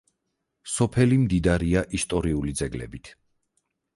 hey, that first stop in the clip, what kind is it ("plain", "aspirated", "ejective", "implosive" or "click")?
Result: aspirated